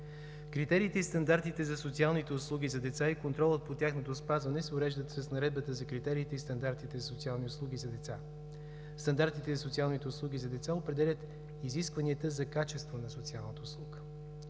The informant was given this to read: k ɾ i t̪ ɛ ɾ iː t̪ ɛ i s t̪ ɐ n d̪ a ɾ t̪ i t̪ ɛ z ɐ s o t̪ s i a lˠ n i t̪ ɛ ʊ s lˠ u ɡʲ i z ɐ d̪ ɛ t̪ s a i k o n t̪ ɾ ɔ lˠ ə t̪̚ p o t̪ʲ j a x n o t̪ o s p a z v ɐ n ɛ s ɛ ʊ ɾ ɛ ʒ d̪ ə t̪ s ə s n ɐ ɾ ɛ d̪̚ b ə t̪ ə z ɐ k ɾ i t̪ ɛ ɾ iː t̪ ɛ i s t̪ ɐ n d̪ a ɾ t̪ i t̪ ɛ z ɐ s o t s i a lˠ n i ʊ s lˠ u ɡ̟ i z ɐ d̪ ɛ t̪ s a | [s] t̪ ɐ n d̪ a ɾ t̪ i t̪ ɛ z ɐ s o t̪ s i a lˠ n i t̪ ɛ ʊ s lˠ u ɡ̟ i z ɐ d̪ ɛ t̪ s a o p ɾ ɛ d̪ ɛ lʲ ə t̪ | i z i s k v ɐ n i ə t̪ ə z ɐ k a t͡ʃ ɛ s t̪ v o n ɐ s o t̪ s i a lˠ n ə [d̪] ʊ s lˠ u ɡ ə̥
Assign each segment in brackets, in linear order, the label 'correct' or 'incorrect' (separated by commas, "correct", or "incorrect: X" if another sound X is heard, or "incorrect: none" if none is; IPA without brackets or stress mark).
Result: correct, incorrect: t̪